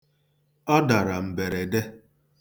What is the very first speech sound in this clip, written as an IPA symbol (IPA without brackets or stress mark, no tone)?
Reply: ɔ